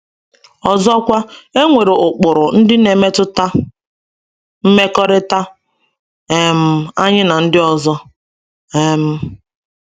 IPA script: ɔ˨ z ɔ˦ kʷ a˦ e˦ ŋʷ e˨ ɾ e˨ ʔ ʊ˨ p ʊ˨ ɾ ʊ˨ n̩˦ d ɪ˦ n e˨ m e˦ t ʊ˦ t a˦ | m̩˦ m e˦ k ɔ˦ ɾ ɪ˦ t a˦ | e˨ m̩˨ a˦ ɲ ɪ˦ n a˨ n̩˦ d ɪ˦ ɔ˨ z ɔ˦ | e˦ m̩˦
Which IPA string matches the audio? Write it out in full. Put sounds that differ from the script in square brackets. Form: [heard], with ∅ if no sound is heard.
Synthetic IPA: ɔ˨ z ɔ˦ kʷ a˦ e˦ ŋʷ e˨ ɾ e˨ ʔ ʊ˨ [k͡p] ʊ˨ ɾ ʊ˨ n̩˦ d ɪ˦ n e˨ m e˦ t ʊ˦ t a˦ | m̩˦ m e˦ k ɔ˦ ɾ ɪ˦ t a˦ | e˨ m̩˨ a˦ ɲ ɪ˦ n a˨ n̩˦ d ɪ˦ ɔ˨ z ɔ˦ | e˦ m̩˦

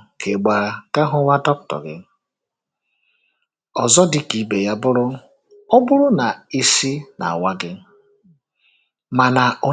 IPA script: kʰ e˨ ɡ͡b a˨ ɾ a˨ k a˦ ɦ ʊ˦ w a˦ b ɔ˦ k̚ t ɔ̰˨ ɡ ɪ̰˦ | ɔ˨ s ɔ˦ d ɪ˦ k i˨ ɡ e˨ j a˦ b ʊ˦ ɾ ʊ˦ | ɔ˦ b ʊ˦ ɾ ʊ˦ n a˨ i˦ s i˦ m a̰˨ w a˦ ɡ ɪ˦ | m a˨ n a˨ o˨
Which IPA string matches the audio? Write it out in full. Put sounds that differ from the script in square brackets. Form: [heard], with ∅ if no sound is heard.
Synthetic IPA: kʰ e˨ ɡ͡b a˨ ɾ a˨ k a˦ ɦ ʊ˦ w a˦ [d] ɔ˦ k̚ t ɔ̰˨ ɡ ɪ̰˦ | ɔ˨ [z] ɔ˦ d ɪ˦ k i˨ [b] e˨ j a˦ b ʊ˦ ɾ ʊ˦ | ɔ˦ b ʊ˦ ɾ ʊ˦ n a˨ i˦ s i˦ [n] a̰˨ w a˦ ɡ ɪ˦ | m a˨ n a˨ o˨

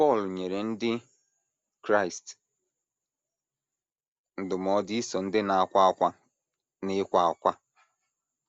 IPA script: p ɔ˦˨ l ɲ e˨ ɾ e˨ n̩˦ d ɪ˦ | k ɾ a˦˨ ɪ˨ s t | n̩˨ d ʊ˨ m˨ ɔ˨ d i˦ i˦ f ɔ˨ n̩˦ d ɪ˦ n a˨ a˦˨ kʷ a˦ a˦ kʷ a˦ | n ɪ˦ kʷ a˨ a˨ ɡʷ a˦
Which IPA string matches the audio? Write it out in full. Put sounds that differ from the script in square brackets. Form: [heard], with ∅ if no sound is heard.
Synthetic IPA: p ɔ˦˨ l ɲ e˨ ɾ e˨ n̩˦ d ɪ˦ | k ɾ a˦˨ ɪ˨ s t | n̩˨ d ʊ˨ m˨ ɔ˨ d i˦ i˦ [s] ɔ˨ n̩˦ d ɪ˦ n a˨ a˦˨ kʷ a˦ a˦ kʷ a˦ | n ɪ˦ kʷ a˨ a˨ [kʷ] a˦

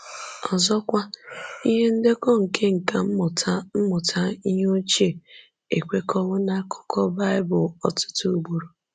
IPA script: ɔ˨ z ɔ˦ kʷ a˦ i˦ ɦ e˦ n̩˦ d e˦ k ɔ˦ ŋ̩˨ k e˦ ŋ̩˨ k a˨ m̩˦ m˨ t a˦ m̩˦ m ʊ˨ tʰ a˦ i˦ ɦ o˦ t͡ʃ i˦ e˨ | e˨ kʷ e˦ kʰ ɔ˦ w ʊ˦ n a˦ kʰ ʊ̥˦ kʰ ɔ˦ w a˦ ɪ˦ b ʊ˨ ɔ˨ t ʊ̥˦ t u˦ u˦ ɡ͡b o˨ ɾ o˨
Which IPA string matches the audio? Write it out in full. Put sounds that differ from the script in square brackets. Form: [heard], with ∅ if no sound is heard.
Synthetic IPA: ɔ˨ z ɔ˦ kʷ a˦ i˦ ɦ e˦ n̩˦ d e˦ k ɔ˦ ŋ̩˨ k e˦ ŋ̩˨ k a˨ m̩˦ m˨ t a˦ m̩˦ m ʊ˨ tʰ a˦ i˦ ɦ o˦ t͡ʃ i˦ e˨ | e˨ kʷ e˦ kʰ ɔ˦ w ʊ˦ n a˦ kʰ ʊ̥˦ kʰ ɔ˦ [b] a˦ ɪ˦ b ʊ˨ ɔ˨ t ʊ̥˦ t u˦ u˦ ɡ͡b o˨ ɾ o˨

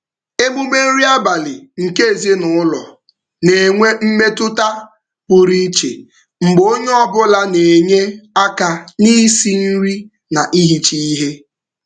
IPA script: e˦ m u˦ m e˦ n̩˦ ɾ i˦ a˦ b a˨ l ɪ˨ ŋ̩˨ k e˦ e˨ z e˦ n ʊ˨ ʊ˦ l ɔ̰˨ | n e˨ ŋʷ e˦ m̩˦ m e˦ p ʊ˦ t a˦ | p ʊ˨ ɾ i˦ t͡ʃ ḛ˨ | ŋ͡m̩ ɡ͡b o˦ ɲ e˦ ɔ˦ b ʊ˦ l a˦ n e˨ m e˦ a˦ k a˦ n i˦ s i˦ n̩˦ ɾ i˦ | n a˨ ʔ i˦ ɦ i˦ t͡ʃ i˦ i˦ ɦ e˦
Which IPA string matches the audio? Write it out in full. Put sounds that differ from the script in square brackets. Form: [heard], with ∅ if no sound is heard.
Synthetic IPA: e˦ m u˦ m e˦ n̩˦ ɾ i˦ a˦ b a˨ l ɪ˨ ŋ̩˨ k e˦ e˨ z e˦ n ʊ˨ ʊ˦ l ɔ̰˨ | n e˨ ŋʷ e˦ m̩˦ m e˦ [t] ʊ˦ t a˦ | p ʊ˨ ɾ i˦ t͡ʃ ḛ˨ | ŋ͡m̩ ɡ͡b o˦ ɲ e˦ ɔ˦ b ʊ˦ l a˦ n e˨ [ɲ] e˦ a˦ k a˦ n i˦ s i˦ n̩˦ ɾ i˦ | n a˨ ʔ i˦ ɦ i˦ t͡ʃ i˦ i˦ ɦ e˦

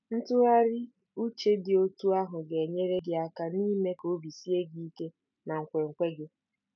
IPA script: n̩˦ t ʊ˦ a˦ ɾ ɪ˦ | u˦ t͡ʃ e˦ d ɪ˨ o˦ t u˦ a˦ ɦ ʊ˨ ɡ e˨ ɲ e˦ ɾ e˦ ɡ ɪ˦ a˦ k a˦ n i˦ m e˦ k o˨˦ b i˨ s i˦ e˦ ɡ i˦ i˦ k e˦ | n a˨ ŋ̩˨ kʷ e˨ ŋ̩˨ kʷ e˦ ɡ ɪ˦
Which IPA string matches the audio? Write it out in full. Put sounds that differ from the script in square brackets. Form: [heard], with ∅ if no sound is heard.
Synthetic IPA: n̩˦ t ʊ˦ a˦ ɾ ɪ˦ | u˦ t͡ʃ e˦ d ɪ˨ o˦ t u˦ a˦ ɦ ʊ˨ ɡ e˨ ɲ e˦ ɾ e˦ ɡ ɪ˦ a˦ k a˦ n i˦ m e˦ k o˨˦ b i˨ s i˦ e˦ ɡ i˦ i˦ k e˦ | n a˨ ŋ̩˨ kʷ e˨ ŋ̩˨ kʷ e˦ ɡ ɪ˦

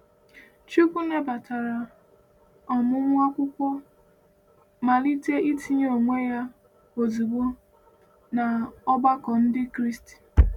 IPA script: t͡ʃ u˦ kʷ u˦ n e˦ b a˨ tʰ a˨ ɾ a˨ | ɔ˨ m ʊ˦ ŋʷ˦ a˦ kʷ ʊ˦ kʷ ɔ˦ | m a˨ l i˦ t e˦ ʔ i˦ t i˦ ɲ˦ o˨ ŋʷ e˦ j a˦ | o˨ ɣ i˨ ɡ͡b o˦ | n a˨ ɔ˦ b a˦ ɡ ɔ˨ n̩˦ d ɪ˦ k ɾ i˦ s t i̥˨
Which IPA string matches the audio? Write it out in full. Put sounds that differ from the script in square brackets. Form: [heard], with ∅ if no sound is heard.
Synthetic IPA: t͡ʃ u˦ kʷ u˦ n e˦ b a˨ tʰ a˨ ɾ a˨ | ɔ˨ m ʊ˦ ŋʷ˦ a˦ kʷ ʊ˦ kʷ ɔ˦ | m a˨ l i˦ t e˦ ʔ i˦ t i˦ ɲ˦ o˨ ŋʷ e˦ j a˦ | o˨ [z] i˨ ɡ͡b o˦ | n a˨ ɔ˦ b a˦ [k] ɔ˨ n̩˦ d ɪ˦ k ɾ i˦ s t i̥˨

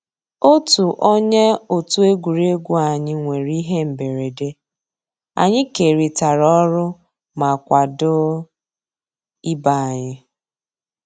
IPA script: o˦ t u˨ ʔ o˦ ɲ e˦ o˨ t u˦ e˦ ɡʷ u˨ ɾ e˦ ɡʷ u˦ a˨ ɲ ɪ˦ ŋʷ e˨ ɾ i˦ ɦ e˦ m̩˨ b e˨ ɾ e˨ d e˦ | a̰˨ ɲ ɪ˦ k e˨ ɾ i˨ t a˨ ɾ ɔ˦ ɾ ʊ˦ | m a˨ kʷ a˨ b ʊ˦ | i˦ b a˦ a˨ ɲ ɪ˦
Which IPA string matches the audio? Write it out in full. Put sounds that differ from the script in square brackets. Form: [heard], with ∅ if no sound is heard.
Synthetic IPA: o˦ t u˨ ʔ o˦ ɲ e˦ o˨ t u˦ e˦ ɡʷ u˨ ɾ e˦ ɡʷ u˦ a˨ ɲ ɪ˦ ŋʷ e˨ ɾ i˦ ɦ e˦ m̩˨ b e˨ ɾ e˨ d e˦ | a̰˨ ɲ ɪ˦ k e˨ ɾ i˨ t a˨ ɾ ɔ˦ ɾ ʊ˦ | m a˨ kʷ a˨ [d] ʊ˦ | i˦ b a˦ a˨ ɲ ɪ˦

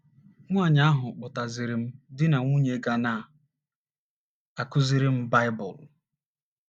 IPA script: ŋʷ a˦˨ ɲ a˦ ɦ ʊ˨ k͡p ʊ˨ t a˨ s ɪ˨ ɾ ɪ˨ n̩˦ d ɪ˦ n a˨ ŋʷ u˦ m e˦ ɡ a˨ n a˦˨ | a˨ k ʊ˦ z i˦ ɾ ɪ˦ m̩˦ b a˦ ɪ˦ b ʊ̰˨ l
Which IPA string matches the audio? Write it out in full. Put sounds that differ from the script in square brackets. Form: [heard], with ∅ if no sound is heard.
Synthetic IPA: ŋʷ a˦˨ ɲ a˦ ɦ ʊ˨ k͡p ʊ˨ t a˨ [z] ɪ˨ ɾ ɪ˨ [m̩˦] d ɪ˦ n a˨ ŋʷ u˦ [ɲ] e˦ ɡ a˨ n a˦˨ | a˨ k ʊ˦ z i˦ ɾ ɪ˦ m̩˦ b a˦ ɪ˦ b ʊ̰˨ l

